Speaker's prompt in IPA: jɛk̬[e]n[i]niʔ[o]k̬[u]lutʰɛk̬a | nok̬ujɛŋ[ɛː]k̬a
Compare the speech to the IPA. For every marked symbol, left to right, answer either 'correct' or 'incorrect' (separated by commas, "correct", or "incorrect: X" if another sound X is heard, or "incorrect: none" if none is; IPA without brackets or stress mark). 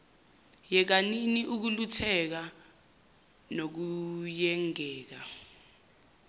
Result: incorrect: a, correct, incorrect: u, correct, correct